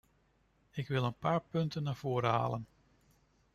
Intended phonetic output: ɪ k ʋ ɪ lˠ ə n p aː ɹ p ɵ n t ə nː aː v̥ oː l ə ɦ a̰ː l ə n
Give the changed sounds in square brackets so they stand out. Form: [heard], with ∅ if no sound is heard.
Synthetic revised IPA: ɪ k ʋ ɪ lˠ ə n p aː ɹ p ɵ n t ə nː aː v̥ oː [ɾ] ə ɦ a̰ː l ə n